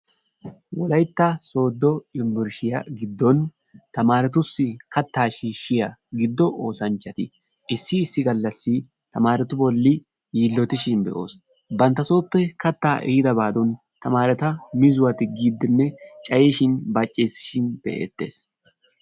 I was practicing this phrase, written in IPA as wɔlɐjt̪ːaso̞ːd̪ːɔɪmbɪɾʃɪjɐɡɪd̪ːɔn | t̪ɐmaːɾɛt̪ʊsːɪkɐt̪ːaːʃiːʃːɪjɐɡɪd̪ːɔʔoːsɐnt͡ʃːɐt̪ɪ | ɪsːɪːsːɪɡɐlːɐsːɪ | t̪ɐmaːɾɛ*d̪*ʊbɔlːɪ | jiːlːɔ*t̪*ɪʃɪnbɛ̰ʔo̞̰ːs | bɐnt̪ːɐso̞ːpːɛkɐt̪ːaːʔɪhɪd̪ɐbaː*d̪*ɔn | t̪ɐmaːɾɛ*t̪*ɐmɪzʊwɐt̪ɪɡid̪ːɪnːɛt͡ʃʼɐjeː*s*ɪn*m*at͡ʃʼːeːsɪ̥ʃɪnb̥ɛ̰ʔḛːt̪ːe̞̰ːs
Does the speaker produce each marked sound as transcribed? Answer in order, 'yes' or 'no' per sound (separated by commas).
no, yes, yes, yes, no, no